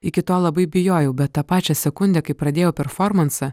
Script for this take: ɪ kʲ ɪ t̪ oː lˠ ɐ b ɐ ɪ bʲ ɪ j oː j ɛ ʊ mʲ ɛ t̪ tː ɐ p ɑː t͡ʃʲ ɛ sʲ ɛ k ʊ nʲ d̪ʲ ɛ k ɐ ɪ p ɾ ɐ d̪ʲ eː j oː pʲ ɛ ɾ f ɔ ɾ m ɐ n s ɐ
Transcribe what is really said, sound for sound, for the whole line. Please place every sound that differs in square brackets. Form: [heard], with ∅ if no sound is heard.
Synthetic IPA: ɪ kʲ ɪ t̪ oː lˠ ɐ b ɐ ɪ bʲ ɪ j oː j ɛ ʊ [bʲ] ɛ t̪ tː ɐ p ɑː t͡ʃʲ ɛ sʲ ɛ k ʊ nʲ d̪ʲ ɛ k ɐ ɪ p ɾ ɐ d̪ʲ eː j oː pʲ ɛ ɾ f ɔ ɾ m ɐ n s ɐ